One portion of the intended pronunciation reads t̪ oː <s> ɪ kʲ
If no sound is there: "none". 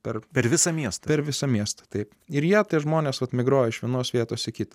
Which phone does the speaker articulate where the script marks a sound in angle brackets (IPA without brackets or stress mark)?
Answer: s